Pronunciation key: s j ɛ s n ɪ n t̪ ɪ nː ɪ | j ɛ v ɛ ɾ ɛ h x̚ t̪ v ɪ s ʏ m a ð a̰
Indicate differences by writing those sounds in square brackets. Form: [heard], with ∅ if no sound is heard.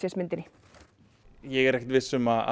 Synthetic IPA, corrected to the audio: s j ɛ s [m] ɪ n t̪ ɪ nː ɪ | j ɛ [ɣ] ɛ ɾ ɛ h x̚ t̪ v ɪ s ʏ m a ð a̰